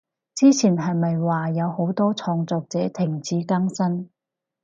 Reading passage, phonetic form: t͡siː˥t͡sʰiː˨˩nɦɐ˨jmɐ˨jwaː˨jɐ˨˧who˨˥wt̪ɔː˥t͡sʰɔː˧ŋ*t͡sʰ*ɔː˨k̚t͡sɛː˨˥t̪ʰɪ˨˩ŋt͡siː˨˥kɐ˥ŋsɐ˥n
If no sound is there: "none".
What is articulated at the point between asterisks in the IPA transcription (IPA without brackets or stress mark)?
t͡s